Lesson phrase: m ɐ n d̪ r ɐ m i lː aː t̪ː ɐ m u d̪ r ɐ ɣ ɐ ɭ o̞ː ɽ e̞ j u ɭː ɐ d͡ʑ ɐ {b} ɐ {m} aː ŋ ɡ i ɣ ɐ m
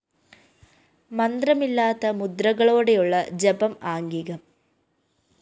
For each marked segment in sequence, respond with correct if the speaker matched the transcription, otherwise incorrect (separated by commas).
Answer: correct, correct